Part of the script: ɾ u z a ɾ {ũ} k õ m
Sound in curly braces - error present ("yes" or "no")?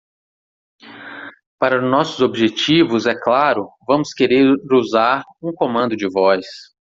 no